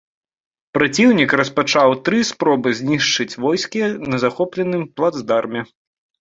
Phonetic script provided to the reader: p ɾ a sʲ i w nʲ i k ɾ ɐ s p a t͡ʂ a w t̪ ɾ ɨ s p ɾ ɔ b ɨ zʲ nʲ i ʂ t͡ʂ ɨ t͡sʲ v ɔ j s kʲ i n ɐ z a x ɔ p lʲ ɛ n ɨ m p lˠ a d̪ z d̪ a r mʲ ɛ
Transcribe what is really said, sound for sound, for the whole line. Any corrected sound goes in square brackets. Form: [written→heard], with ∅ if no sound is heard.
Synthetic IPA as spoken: p ɾ a [sʲ→t͡sʲ] i w nʲ i k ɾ ɐ s p a t͡ʂ a w t̪ ɾ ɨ s p ɾ ɔ b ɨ zʲ nʲ i ʂ t͡ʂ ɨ t͡sʲ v ɔ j s kʲ i n ɐ z a x ɔ p lʲ ɛ n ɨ m p lˠ a d̪ z d̪ a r mʲ ɛ